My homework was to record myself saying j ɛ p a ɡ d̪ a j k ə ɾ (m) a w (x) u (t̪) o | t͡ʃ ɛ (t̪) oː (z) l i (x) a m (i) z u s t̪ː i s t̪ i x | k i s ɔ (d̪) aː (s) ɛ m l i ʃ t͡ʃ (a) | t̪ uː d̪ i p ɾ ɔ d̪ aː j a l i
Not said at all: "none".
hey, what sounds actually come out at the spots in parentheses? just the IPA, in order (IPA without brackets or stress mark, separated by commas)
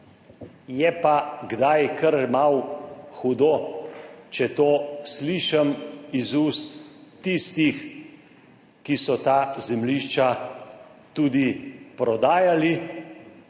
m, x, d̪, t̪, s, ʃ, i, t̪, z, a